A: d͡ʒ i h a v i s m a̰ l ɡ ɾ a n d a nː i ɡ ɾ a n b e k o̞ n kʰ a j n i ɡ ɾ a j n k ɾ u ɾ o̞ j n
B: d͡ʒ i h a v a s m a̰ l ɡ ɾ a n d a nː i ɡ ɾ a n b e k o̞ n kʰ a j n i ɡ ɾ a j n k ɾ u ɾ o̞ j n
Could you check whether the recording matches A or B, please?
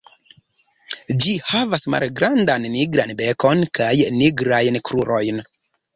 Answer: B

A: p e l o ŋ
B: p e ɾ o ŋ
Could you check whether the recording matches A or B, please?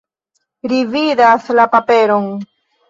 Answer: B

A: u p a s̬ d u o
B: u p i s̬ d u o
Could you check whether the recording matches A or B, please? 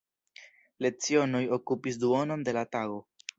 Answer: B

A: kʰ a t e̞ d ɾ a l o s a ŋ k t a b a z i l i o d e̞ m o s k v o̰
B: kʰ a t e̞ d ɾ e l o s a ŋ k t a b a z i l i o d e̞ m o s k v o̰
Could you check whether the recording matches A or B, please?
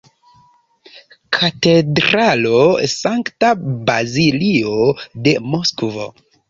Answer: A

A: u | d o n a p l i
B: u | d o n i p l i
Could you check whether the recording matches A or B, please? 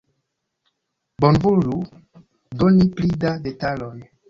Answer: B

